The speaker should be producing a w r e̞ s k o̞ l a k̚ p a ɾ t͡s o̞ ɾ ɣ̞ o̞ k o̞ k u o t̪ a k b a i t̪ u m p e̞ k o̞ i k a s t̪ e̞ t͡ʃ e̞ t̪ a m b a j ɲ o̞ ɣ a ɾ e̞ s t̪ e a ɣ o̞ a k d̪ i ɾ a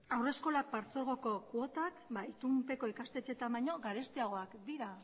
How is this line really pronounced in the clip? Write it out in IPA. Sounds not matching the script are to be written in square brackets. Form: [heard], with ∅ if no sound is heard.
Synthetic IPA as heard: a w r e̞ s k o̞ l a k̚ p a ɾ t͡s o̞ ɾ ɣ̞ o̞ k o̞ k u o t̪ a k b a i t̪ u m p e̞ k o̞ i k a s t̪ e̞ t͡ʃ e̞ t̪ a m b a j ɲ o̞ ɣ a ɾ e̞ s t̪ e a ɣ o̞ a k d̪ i ɾ a